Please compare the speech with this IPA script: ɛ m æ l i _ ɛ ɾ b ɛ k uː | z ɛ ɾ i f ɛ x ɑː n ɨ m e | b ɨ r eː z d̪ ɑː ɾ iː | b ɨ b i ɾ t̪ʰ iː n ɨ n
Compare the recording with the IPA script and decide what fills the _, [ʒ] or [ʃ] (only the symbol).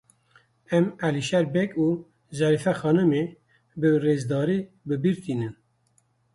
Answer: ʃ